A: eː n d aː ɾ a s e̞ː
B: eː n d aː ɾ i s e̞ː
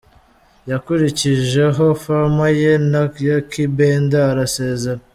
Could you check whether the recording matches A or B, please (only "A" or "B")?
A